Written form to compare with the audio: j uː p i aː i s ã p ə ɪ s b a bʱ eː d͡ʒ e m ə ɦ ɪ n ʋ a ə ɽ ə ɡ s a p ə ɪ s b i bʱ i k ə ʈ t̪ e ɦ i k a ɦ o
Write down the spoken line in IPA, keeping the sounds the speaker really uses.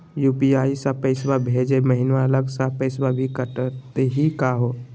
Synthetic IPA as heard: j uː p i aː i s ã p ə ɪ s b a bʱ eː d͡ʒ e m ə ɦ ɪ n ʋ a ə l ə ɡ s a p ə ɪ s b a bʱ i k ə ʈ t̪ e ɦ i k a ɦ o